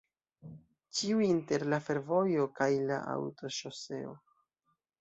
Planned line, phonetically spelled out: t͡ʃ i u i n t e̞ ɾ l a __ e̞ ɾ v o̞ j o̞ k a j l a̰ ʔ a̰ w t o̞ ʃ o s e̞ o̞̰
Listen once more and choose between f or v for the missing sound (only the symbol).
f